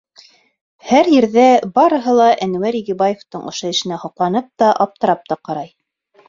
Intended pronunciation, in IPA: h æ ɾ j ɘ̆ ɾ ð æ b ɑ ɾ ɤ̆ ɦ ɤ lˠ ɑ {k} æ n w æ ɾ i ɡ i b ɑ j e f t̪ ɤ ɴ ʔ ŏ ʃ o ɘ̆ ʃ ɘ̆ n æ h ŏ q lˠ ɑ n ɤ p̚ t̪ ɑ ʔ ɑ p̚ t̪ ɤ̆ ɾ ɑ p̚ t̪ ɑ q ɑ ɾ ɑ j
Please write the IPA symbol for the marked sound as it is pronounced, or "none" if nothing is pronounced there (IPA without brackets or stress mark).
ʔ